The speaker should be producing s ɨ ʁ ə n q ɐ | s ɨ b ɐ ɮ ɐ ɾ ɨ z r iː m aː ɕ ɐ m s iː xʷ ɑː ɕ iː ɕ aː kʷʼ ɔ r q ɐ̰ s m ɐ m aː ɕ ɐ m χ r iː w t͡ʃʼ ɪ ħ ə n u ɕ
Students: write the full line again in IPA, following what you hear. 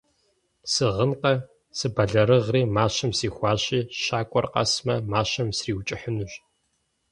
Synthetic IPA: s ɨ ʁ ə n q ɐ | s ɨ b ɐ ɮ ɐ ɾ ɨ ʁ r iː m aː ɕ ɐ m s iː xʷ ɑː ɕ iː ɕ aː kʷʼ ɔ r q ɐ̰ s m ɐ m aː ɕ ɐ m s r iː w t͡ʃʼ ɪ ħ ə n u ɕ

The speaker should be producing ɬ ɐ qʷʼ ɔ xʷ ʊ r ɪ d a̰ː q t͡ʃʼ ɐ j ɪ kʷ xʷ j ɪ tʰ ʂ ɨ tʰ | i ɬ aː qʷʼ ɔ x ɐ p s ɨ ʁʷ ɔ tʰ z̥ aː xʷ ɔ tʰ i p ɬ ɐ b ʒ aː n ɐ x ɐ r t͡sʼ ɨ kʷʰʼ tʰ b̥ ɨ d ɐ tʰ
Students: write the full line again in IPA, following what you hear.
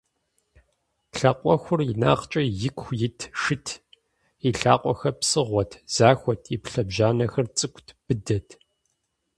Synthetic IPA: ɬ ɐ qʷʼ ɔ xʷ ʊ r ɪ n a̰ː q t͡ʃʼ ɐ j ɪ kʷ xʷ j ɪ tʰ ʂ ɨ tʰ | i ɬ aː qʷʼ ɔ x ɐ p s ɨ ʁʷ ɔ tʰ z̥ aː xʷ ɔ tʰ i p ɬ ɐ b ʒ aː n ɐ x ɐ r t͡sʼ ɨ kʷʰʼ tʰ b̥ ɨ d ɐ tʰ

